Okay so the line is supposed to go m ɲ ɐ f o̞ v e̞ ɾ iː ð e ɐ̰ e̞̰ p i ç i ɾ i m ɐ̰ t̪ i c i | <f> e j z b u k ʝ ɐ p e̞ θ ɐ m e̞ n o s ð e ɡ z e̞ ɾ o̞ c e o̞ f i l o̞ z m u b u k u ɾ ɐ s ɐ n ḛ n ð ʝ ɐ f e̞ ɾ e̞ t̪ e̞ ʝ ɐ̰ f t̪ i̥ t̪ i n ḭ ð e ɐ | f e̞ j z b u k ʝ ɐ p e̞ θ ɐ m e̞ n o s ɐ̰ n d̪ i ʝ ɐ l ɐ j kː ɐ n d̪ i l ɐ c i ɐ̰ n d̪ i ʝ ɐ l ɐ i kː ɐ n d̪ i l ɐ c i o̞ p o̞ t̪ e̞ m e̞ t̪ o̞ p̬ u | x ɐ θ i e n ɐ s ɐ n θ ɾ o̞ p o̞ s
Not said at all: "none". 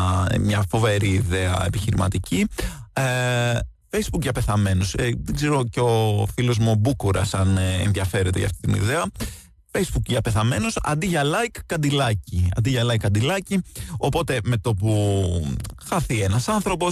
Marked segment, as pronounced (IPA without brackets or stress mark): f